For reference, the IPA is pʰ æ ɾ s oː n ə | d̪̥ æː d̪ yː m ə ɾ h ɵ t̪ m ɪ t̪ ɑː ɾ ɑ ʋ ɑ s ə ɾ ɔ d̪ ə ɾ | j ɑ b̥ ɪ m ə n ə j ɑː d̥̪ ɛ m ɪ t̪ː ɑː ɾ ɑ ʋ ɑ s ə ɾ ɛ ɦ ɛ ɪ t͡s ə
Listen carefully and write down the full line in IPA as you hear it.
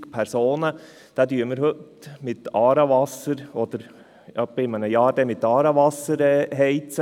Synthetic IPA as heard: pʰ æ ɾ s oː n ə | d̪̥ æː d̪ yː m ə ɾ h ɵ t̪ m ɪ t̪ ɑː ɾ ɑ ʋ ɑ s ə ɾ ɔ d̪ ə ɾ | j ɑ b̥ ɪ m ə n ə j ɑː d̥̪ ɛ m ɪ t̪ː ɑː ɾ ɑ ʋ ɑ s ə ɾ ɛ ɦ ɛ ɪ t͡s ə